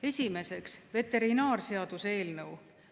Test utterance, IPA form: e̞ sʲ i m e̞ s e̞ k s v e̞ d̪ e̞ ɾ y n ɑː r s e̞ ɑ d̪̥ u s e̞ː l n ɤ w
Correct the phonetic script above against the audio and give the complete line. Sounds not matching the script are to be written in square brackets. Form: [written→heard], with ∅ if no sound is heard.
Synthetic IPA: e̞ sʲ i m e̞ s e̞ k s v e̞ [d̪→t̪] e̞ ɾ [y→i] n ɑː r s e̞ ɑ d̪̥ u s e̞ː l n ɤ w